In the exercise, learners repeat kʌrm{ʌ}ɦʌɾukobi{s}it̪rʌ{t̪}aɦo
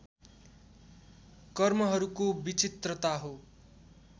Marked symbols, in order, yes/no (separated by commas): yes, no, yes